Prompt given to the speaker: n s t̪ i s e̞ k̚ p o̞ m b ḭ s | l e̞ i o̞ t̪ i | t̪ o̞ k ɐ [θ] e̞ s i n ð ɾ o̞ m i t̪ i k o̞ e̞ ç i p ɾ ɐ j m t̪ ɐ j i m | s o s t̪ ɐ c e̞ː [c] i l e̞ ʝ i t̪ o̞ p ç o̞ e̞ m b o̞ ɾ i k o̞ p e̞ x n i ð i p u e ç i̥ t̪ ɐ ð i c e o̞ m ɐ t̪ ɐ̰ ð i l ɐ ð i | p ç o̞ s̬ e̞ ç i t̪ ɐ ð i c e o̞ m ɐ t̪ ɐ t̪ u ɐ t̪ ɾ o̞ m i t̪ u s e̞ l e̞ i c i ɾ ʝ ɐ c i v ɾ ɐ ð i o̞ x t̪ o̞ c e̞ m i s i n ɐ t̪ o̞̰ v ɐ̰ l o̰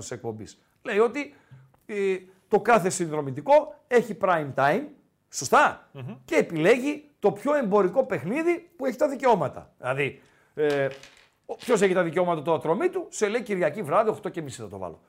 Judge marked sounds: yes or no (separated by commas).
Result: yes, no